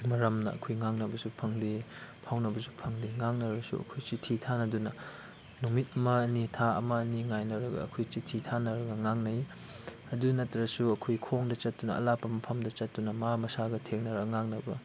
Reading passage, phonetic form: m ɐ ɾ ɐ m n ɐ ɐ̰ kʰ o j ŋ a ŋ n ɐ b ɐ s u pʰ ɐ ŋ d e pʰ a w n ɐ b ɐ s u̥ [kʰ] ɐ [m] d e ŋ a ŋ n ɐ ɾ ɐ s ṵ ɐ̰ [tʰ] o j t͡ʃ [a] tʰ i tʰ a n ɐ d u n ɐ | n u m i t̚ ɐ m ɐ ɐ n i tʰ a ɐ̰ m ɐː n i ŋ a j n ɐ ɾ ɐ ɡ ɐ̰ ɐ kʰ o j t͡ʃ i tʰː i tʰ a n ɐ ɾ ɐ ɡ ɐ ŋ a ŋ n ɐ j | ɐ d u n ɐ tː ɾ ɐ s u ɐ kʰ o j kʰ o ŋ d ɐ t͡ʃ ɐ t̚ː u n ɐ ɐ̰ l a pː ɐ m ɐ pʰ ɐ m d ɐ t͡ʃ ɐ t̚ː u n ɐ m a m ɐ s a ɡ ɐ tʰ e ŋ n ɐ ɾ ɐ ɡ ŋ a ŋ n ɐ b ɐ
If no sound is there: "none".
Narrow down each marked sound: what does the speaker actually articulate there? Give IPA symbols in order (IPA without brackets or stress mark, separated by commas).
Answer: pʰ, ŋ, kʰ, i